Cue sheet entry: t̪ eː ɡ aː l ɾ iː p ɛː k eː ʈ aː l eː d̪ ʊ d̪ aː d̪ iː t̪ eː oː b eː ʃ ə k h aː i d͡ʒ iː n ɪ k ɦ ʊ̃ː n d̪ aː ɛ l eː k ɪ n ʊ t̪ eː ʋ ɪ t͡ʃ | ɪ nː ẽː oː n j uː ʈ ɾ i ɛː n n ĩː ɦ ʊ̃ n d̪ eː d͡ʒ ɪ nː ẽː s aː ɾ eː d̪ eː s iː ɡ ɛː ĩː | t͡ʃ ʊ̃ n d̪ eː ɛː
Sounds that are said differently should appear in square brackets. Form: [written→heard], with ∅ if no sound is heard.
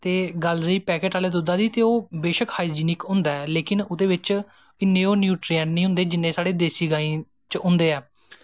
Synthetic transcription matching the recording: t̪ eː ɡ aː l ɾ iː p ɛː k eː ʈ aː l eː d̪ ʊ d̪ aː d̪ iː t̪ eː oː b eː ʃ ə k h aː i d͡ʒ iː n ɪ k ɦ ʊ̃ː n d̪ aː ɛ l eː k ɪ n ʊ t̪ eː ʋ ɪ t͡ʃ | ɪ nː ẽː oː n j uː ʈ ɾ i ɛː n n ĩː ɦ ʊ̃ n d̪ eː d͡ʒ ɪ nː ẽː s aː [ɾ→ɽ] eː d̪ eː s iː ɡ [ɛː→aː] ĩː | t͡ʃ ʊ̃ n d̪ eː ɛː